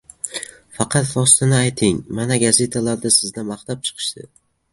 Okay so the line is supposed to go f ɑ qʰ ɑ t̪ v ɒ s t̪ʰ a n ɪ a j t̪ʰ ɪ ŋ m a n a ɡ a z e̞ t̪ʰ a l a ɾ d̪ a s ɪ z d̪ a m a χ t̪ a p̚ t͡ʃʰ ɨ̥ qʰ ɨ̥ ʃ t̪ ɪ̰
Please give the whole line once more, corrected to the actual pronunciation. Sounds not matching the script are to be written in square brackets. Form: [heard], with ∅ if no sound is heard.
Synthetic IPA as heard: f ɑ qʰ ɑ t̪ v ɒ s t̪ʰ a n ɪ a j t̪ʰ ɪ ŋ m a n a ɡ a z e̞ t̪ʰ a l a ɾ d̪ a s ɪ z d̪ a m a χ t̪ a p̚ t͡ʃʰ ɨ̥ qʰ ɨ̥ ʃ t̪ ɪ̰